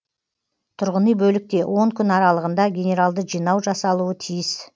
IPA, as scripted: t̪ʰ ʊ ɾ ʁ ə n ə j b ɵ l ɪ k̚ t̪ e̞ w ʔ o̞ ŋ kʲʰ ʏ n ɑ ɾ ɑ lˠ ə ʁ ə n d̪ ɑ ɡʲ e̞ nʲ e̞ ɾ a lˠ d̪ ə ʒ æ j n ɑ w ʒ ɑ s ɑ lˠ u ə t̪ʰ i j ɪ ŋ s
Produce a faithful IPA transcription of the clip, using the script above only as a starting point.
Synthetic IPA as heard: t̪ʰ ʊ ɾ ʁ ə n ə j b ɵ l ɪ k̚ t̪ e̞ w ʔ o̞ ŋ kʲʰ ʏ n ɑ ɾ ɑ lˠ ə ʁ ə n d̪ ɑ ɡʲ e̞ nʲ e̞ ɾ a lˠ d̪ ə ʒ i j n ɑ w ʒ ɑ s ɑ lˠ u ə t̪ʰ i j ɪ s